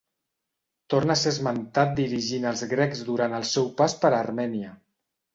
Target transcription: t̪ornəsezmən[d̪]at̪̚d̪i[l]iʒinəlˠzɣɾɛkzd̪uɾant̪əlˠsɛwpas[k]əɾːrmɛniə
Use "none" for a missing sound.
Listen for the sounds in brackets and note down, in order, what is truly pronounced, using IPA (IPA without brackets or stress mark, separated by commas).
t̪, ɾ, p